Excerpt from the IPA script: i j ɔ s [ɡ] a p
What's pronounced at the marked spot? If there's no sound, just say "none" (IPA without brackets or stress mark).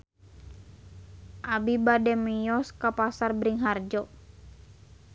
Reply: k